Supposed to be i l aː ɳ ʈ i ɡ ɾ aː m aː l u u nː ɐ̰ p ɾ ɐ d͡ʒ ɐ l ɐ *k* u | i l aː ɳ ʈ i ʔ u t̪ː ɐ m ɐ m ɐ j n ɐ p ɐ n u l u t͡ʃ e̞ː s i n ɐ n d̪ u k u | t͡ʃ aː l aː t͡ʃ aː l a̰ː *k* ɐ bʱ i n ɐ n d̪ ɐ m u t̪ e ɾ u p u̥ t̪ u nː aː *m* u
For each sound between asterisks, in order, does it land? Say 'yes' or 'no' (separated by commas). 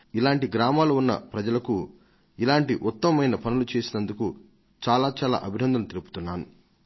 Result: yes, no, no